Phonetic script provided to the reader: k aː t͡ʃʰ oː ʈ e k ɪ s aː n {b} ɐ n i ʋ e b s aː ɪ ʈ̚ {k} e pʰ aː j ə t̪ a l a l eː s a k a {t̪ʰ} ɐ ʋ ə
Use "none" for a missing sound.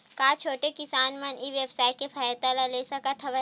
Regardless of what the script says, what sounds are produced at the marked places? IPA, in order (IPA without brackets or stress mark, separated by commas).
m, k, t̪ʰ